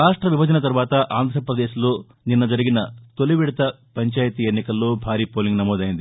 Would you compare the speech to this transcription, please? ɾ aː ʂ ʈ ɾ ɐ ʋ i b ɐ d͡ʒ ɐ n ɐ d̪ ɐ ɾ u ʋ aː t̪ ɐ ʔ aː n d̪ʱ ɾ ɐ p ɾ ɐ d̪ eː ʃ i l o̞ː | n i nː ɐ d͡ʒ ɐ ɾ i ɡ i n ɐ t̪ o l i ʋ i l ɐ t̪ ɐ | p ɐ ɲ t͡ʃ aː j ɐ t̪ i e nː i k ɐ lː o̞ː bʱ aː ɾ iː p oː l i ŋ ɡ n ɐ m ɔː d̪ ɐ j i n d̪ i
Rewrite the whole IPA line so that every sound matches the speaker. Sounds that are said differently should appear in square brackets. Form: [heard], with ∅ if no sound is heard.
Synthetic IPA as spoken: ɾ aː ʂ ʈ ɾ ɐ ʋ i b ɐ d͡ʒ ɐ n ɐ [t̪] ɐ ɾ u ʋ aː t̪ ɐ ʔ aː n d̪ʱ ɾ ɐ p ɾ ɐ d̪ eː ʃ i l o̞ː | n i nː ɐ d͡ʒ ɐ ɾ i ɡ i n ɐ t̪ o l i ʋ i [ɽ] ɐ t̪ ɐ | p ɐ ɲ t͡ʃ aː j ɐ t̪ i e nː i k ɐ lː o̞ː bʱ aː ɾ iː p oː l i ŋ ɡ n ɐ m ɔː d̪ ɐ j i n d̪ i